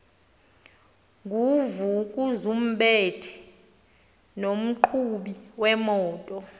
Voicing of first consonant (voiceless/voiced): voiced